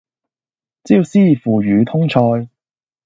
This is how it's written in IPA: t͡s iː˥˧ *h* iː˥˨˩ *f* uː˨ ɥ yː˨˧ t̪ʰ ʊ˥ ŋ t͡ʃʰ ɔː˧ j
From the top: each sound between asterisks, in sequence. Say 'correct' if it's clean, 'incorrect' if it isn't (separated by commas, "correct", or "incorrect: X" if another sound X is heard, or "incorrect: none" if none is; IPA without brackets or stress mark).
incorrect: s, correct